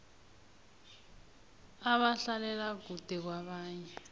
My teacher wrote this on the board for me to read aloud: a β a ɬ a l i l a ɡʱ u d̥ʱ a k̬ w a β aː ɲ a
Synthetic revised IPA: a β a ɬ a l ɛ l a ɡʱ u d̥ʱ ɛ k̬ w a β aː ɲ ɛ